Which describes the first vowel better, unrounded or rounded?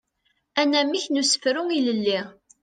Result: unrounded